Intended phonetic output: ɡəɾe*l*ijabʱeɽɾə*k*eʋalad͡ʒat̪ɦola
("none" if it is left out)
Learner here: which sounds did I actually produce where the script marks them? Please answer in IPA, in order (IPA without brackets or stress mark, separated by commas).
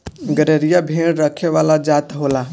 ɾ, kʰ